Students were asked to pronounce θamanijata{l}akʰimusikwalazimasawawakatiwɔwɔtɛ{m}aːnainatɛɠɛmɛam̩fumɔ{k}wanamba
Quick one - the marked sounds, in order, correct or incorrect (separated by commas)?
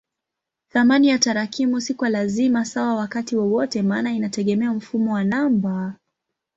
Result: incorrect, correct, incorrect